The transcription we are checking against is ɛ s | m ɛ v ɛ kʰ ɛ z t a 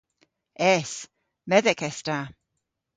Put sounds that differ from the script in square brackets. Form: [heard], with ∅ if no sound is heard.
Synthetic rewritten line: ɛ s | m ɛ [ð] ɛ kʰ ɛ [s] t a